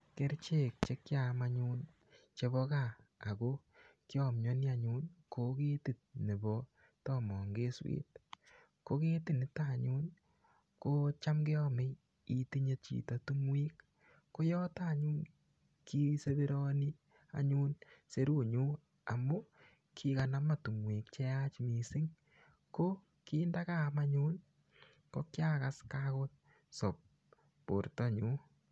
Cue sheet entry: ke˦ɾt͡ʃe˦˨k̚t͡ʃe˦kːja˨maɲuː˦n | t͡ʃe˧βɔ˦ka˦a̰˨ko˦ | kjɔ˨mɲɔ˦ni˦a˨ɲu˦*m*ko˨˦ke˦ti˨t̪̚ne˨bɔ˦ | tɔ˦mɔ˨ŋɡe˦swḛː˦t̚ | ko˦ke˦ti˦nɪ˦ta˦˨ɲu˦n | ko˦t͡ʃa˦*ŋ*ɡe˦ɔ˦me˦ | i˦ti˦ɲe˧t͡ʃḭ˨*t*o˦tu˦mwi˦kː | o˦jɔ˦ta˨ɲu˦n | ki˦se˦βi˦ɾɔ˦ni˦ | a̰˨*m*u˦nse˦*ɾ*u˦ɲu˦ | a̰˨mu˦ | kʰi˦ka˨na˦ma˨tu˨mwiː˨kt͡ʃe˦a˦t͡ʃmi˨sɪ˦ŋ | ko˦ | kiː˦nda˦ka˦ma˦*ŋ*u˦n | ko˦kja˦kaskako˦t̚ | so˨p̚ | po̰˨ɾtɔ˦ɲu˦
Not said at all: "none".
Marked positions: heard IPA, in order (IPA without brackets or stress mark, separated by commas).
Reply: n, m, t, ɲ, ɾ, ɲ